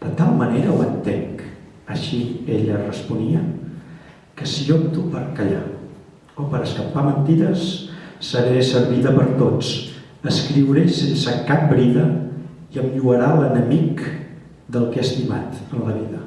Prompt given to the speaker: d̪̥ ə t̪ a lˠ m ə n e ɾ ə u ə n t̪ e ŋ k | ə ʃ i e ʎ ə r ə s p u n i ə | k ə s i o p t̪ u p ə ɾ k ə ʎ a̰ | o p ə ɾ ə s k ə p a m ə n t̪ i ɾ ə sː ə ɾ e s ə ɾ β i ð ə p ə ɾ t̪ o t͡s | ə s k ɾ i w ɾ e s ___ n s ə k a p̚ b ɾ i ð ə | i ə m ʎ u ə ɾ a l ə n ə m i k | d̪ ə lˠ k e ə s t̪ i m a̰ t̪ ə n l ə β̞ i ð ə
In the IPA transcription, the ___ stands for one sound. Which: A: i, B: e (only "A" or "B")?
B